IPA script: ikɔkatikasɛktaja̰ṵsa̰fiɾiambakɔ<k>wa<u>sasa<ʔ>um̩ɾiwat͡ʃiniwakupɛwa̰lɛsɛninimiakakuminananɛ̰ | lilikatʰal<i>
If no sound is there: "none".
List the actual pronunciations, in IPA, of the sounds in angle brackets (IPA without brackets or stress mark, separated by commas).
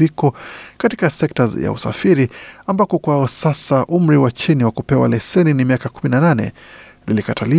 k, ɔ, ʔ, i